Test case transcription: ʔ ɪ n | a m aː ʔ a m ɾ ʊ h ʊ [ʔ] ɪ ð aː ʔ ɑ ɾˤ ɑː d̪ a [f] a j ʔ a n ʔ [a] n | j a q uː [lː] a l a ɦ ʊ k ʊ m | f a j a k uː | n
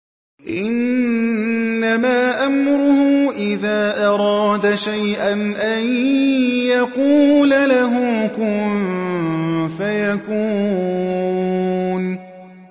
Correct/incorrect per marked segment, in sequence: correct, incorrect, correct, incorrect

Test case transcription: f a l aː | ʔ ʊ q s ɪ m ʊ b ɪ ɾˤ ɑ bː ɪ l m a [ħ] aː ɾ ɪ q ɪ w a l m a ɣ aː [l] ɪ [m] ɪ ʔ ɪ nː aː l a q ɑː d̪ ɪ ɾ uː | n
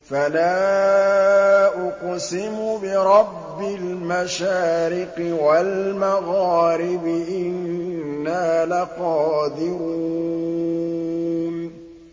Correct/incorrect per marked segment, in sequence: incorrect, incorrect, incorrect

